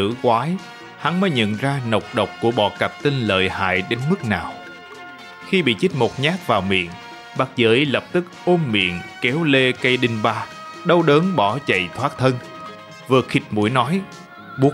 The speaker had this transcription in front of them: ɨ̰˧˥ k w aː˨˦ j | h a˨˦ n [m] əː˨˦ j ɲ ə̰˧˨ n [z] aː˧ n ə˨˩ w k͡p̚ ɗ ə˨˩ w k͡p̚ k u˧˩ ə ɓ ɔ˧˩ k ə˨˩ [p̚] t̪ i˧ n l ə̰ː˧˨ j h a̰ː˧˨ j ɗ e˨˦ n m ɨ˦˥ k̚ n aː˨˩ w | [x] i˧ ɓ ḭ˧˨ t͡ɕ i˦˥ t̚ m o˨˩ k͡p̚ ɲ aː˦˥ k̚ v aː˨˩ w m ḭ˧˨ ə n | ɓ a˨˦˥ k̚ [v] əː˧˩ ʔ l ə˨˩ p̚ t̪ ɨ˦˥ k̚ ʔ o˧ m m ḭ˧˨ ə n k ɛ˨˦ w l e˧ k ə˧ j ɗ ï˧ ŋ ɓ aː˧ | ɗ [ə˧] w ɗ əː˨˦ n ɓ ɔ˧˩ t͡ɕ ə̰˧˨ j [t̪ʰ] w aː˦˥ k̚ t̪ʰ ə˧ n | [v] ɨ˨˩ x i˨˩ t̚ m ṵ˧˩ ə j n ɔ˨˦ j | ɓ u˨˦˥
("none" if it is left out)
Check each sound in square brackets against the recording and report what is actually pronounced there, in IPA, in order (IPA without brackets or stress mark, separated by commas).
m, z, p̚, x, z, ə˧, t̪ʰ, v